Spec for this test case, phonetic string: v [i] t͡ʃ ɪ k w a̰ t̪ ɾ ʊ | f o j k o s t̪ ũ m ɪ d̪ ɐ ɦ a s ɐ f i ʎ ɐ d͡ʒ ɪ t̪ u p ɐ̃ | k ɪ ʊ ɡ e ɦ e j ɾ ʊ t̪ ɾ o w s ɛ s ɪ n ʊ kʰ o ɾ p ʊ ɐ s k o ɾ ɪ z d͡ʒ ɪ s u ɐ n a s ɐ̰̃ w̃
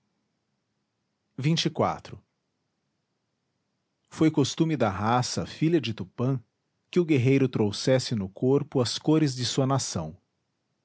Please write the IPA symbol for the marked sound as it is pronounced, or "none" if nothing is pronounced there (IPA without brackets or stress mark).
ĩ